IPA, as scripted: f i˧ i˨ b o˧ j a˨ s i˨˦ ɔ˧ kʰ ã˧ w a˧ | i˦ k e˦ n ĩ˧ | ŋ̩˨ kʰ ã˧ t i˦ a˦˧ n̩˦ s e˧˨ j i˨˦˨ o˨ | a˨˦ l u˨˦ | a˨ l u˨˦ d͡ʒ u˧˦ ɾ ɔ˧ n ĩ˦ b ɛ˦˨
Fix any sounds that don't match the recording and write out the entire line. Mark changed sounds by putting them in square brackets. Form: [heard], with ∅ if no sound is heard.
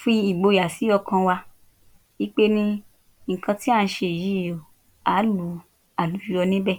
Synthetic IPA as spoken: f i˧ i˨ [ɡ͡b] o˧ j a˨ s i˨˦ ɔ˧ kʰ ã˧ w a˧ | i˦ [k͡p] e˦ n ĩ˧ | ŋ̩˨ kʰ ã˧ t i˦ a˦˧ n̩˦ [ʃ] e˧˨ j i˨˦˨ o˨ | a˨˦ l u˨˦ | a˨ l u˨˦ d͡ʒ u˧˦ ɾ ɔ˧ n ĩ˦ b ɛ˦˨